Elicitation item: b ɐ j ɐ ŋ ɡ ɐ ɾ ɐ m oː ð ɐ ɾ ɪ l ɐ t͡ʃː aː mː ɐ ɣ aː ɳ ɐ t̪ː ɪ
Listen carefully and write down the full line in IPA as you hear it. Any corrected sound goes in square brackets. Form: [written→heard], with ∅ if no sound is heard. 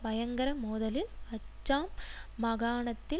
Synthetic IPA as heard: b ɐ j ɐ ŋ ɡ ɐ ɾ ɐ m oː ð ɐ [ɾ→l] ɪ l ɐ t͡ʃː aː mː ɐ ɣ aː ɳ ɐ t̪ː ɪ